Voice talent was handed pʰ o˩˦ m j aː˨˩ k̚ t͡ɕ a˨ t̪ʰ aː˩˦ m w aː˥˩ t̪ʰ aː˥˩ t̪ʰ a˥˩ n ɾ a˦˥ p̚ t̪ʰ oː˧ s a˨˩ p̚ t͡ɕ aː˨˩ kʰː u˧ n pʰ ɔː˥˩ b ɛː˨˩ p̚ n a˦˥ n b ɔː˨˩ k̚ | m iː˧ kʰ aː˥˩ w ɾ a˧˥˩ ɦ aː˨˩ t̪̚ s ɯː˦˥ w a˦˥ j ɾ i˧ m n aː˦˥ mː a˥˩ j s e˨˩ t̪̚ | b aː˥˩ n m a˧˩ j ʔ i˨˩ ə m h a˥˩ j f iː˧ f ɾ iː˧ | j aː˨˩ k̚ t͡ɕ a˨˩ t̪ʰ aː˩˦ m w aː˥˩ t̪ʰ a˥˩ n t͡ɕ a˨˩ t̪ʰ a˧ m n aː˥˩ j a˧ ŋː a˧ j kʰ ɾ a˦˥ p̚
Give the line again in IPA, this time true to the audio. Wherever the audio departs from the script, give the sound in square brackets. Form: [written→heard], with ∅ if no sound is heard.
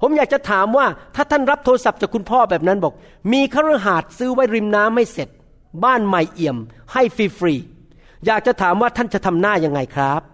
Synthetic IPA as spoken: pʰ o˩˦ m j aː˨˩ k̚ t͡ɕ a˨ t̪ʰ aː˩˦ m w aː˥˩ t̪ʰ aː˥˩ t̪ʰ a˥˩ n ɾ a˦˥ p̚ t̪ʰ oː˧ s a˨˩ p̚ t͡ɕ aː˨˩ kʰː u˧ n pʰ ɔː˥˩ b ɛː˨˩ p̚ n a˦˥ n b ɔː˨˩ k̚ | m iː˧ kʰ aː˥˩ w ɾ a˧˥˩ ɦ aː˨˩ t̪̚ s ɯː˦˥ w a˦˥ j ɾ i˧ m n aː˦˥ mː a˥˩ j s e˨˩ t̪̚ | b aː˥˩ n m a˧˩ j ʔ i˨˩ ə m h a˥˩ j f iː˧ f ɾ iː˧ | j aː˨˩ k̚ t͡ɕ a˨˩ t̪ʰ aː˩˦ m w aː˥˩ t̪ʰ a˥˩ n t͡ɕ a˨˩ t̪ʰ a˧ m n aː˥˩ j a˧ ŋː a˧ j kʰ ɾ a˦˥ p̚